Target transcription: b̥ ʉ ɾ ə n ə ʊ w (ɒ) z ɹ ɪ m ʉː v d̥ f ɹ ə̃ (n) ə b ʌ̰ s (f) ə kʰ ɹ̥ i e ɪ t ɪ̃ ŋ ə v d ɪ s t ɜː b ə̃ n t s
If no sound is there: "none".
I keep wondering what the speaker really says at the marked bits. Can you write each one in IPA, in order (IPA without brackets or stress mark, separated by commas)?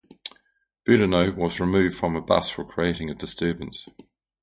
ɒ, m, f